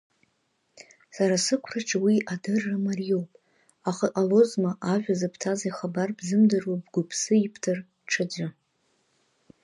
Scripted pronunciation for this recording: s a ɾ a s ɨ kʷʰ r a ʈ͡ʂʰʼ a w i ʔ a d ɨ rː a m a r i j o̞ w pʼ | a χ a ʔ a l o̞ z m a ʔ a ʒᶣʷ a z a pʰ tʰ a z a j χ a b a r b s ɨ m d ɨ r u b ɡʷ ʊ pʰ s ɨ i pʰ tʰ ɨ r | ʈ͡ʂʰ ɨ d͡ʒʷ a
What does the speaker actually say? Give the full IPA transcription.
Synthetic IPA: s a ɾ a s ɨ kʷʰ r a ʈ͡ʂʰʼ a w i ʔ a d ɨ rː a m a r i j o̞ w pʼ | a χ a ʔ a l o̞ z m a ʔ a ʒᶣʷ a z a pʰ tʰ a z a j χ a b a r b z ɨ m d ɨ r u b ɡʷ ʊ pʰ s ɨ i pʰ tʰ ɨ r | ʈ͡ʂʰ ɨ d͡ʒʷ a